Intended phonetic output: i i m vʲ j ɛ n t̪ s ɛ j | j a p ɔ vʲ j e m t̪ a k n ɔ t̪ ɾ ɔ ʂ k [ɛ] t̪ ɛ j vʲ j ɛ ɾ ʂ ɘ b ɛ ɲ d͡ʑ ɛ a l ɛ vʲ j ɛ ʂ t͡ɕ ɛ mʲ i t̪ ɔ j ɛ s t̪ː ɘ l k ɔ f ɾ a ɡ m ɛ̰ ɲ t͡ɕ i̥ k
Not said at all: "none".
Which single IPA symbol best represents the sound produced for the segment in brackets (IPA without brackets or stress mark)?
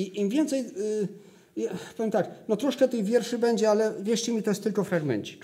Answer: ɛ